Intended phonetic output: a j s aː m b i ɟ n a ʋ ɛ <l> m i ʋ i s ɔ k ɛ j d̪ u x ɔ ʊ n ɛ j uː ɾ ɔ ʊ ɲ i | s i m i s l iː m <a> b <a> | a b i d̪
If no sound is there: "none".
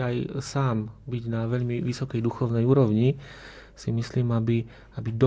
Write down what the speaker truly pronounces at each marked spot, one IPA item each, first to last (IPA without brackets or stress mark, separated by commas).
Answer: ʎ, a, i